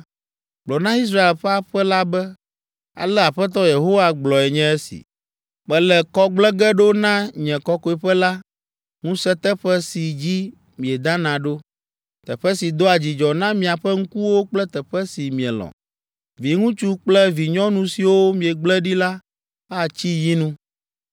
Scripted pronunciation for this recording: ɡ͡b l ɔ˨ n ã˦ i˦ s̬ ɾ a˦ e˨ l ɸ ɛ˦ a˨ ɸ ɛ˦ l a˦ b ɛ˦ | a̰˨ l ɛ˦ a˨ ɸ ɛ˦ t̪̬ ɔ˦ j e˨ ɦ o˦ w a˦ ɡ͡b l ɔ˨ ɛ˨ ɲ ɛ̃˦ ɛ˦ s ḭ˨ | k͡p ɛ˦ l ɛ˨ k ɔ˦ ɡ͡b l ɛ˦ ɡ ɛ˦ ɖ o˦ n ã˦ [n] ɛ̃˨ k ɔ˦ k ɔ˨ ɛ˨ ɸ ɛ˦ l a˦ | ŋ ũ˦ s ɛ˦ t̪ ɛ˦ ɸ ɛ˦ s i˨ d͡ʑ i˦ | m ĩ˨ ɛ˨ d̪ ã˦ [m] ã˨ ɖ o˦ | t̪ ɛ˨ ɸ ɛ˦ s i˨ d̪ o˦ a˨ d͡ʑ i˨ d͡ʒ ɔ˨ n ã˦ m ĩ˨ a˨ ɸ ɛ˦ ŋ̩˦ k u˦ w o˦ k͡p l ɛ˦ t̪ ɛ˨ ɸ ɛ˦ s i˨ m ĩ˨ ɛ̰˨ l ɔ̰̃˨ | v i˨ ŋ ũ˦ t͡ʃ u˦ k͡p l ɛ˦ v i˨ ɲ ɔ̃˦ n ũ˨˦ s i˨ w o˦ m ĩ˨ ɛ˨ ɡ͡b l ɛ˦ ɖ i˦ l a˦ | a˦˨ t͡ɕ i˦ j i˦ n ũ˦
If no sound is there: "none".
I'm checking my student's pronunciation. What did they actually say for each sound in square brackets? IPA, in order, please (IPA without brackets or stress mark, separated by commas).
ɲ, n